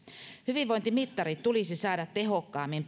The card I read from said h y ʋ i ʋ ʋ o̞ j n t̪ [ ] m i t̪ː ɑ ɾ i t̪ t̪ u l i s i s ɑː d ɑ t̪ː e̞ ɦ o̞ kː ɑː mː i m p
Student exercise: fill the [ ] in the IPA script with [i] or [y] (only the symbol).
i